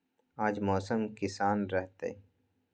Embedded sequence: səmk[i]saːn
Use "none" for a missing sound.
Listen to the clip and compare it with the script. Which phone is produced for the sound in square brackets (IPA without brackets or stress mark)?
ɪ